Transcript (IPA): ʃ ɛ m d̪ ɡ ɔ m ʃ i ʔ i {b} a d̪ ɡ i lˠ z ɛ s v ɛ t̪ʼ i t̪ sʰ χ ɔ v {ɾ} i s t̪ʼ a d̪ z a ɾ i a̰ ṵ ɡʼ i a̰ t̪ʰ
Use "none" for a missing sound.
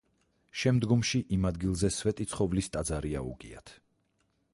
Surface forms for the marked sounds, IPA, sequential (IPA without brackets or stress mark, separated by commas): m, l